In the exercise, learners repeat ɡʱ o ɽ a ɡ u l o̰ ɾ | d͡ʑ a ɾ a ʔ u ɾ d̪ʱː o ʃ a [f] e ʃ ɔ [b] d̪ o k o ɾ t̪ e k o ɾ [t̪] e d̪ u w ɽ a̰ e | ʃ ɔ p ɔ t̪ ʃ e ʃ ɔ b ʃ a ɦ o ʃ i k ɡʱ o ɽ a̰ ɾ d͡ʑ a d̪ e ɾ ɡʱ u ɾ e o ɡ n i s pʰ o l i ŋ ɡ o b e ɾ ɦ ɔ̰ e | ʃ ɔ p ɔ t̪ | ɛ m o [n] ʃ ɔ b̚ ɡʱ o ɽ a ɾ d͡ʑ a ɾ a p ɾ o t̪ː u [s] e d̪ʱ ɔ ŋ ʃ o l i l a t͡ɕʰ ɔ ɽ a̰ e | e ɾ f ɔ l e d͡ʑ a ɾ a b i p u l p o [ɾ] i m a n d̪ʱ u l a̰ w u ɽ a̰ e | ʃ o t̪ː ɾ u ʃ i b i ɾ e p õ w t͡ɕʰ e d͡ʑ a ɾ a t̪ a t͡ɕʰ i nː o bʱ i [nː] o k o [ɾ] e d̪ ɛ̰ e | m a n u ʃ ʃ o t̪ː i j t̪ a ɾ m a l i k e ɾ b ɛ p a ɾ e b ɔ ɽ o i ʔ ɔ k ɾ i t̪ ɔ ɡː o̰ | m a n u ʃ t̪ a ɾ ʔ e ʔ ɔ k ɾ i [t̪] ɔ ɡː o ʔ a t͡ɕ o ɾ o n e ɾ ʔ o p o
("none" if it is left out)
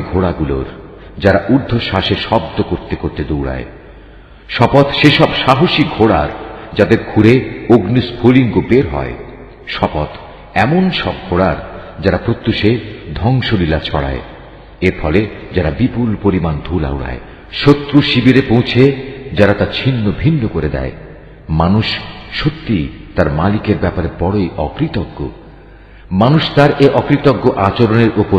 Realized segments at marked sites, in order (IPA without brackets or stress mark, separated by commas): ʃ, b, t̪, n, ʃ, ɾ, nː, ɾ, t̪